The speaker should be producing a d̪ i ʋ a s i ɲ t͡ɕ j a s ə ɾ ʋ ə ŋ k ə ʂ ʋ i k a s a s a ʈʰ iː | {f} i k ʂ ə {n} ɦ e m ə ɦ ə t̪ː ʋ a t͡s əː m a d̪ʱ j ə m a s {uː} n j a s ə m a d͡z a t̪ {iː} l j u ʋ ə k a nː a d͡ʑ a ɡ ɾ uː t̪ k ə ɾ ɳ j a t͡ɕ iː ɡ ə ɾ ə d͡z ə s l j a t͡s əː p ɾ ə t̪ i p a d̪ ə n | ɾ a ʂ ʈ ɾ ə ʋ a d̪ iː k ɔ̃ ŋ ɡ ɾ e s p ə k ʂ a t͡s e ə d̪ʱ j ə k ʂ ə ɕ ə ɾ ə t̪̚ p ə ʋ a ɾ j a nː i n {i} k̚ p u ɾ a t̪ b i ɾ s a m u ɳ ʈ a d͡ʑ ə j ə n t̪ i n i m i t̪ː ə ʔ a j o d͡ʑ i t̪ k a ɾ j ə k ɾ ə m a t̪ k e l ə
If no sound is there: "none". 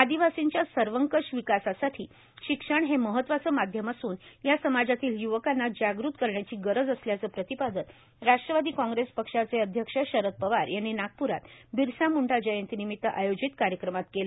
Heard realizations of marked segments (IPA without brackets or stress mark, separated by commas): ɕ, ɳ, uː, iː, a